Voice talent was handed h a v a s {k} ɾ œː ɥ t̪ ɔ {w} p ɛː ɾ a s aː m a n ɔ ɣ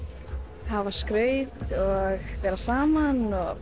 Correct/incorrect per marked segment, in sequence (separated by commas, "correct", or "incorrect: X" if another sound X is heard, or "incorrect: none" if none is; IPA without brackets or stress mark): correct, incorrect: ɣ